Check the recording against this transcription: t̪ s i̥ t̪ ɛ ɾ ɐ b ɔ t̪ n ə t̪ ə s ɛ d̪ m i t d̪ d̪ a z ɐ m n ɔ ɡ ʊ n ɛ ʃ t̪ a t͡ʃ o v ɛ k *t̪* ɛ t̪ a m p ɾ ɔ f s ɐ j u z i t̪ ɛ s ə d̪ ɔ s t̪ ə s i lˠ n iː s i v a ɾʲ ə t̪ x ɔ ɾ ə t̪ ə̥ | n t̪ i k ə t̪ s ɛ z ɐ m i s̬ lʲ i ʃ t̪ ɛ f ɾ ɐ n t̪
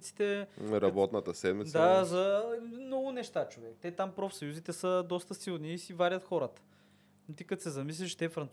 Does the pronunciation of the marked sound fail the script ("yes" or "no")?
no